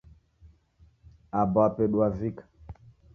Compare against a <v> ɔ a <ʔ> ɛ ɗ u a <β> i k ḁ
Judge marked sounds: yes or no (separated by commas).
no, no, no